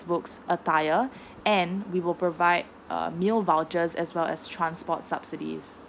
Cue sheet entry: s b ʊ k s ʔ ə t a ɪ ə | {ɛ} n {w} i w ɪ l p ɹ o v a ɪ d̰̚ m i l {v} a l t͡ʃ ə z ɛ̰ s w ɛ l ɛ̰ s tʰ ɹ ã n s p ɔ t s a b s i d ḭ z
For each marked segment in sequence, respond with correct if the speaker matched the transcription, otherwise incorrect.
incorrect, correct, correct

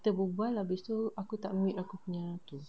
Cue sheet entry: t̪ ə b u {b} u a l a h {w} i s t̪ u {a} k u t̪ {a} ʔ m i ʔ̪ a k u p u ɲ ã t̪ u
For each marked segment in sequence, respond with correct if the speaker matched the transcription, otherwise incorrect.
correct, incorrect, correct, correct

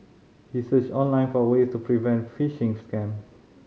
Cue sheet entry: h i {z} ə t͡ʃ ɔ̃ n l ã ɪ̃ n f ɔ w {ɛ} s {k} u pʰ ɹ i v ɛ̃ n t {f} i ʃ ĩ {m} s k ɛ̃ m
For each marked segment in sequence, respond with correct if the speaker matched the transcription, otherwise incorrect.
incorrect, incorrect, incorrect, correct, incorrect

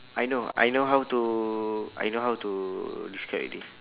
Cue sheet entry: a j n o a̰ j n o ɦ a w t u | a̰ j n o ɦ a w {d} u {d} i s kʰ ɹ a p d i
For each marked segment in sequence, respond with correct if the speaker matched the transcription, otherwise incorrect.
incorrect, correct

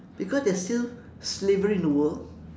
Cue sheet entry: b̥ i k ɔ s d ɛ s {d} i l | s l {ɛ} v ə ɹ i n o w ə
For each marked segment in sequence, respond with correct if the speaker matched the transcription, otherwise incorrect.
incorrect, incorrect

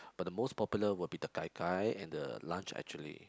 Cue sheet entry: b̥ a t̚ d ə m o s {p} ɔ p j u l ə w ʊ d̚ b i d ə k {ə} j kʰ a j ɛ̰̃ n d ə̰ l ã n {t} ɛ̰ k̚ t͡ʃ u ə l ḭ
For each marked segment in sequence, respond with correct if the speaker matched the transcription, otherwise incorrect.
correct, incorrect, incorrect

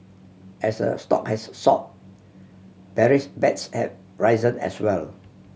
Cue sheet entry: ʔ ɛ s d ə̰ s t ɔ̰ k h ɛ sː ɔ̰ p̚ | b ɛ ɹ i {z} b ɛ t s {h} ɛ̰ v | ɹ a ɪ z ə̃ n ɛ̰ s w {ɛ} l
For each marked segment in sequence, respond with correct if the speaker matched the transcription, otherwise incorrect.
incorrect, correct, correct

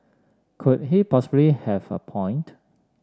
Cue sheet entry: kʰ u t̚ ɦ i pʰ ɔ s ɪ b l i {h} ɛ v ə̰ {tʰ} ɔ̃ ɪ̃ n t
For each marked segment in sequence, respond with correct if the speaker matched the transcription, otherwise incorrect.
correct, incorrect

